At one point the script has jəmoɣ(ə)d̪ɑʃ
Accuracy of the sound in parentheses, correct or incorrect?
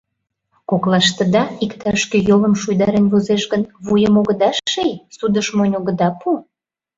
correct